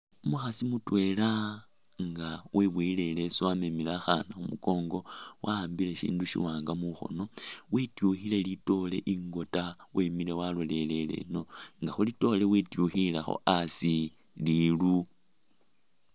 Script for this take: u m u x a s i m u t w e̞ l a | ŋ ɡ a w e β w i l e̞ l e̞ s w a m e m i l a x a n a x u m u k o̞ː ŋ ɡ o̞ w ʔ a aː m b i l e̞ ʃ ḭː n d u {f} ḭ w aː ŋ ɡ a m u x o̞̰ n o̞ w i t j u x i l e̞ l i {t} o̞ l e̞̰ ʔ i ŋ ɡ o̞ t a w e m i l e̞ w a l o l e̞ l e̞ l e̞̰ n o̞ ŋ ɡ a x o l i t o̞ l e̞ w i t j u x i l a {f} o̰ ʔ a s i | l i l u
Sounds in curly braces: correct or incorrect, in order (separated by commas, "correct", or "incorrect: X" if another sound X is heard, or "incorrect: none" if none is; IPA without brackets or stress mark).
incorrect: ʃ, correct, incorrect: x